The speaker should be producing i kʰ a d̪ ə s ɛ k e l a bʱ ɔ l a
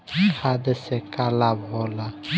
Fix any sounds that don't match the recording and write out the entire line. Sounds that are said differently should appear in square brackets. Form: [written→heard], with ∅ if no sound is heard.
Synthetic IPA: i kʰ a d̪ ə s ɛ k [e→a] l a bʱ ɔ l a